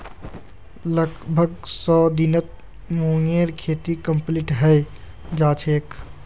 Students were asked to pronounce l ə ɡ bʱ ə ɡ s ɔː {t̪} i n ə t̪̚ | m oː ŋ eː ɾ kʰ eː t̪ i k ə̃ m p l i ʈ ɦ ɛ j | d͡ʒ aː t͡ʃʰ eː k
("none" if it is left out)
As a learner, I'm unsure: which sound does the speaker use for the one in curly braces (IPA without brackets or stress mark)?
d̪